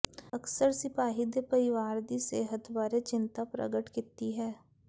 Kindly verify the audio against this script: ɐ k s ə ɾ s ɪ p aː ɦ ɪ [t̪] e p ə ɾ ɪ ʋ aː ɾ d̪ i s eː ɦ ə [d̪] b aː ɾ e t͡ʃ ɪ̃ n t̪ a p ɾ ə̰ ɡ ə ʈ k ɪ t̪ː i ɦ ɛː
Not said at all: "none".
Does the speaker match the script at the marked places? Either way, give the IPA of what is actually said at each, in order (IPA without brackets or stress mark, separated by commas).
d̪, t̪